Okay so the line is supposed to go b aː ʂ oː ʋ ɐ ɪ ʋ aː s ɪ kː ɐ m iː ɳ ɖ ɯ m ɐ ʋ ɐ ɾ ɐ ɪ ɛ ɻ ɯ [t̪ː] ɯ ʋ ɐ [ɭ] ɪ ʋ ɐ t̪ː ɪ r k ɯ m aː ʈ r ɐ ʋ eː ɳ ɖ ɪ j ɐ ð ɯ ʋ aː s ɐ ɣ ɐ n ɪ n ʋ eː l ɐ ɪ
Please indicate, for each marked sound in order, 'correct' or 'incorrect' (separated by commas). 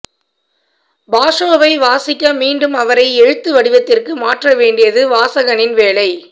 correct, incorrect